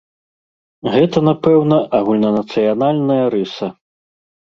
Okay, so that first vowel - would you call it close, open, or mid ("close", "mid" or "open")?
mid